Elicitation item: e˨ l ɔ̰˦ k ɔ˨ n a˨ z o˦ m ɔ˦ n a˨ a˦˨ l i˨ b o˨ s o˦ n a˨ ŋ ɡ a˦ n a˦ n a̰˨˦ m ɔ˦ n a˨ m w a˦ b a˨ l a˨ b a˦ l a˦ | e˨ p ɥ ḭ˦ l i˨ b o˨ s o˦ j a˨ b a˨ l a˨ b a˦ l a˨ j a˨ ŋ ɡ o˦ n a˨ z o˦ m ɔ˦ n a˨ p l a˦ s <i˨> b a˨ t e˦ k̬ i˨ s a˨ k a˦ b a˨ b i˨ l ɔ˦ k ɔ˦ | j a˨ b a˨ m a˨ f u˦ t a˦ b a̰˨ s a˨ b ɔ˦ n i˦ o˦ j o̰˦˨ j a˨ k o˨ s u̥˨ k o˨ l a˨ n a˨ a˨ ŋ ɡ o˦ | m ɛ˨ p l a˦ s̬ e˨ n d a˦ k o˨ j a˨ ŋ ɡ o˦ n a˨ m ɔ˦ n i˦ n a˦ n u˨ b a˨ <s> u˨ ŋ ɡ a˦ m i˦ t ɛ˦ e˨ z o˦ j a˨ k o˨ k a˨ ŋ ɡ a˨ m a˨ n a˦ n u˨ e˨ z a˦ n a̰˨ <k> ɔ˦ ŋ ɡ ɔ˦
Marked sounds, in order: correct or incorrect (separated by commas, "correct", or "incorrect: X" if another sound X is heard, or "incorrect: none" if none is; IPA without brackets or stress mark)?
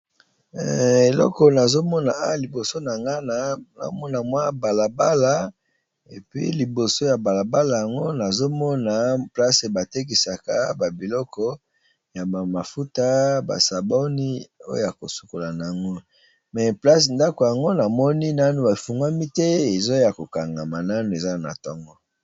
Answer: incorrect: e˨, incorrect: f, incorrect: t